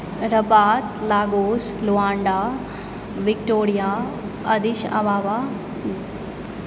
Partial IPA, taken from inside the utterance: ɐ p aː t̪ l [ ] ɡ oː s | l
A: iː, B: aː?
B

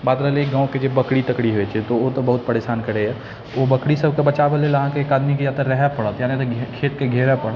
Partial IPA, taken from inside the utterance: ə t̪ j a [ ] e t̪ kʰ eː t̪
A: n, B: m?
A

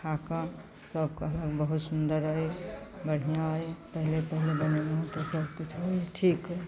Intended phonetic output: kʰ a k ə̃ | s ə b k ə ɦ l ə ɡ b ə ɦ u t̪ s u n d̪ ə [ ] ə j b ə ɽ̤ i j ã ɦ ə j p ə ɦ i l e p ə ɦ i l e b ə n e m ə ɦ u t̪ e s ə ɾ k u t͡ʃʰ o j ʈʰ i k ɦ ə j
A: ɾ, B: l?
A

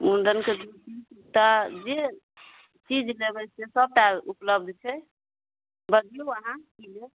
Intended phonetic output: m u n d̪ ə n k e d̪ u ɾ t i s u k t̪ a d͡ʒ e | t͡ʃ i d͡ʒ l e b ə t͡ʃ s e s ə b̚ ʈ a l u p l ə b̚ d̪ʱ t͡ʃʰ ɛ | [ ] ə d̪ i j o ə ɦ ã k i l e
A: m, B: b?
B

